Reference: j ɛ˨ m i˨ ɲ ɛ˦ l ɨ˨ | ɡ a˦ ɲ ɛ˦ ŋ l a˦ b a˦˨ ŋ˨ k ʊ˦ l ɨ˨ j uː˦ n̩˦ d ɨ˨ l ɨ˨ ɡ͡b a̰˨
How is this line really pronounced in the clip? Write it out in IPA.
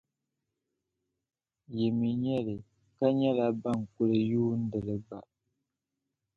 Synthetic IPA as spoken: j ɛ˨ m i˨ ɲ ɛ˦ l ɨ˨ | k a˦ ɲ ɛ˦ l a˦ b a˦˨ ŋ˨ k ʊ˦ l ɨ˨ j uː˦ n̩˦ d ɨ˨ l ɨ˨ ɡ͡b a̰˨